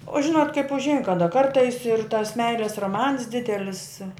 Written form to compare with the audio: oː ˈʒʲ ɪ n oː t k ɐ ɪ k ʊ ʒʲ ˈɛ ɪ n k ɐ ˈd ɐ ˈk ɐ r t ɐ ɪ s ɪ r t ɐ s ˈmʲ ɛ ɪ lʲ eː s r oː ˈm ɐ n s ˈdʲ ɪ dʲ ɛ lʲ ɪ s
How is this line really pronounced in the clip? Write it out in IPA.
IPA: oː ˈʒʲ ɪ n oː t k ɐ ɪ p ʊ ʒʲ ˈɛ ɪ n k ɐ ˈd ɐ ˈk ɐ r t ɐ ɪ s ɪ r t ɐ s ˈmʲ ɛ ɪ lʲ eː s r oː ˈm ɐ n s ˈdʲ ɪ dʲ ɛ lʲ ɪ s